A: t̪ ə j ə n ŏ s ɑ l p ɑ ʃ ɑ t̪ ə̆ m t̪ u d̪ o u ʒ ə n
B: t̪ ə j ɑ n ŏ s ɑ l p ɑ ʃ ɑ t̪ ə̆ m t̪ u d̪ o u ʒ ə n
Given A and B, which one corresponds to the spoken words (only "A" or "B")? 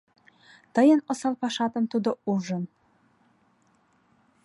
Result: A